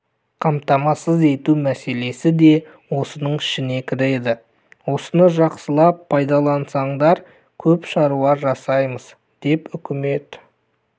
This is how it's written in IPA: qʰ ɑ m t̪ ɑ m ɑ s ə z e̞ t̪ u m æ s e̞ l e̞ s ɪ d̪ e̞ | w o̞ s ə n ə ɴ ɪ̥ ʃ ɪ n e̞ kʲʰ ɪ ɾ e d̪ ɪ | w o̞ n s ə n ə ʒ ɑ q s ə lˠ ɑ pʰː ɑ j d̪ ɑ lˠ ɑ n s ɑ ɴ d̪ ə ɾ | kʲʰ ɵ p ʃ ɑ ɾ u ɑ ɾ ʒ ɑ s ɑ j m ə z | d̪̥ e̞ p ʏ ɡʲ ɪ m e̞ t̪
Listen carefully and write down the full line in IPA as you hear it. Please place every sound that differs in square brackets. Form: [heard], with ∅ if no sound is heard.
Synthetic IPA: qʰ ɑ m t̪ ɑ m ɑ s ə z e̞ t̪ u m æ s e̞ l e̞ s ɪ d̪ e̞ | w o̞ s ə n ə ɴ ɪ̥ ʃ ɪ n e̞ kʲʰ ɪ ɾ e d̪ ɪ | w o̞ [∅] s ə n ə ʒ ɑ q s ə lˠ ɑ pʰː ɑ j d̪ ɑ lˠ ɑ n s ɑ ɴ d̪ [ɑ] ɾ | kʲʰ ɵ p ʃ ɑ ɾ u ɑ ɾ ʒ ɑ s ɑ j m ə z | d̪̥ e̞ p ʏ [kʲ] ɪ m e̞ t̪